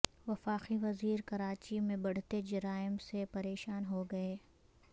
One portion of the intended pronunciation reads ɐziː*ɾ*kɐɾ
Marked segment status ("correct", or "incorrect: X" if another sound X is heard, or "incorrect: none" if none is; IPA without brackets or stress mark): correct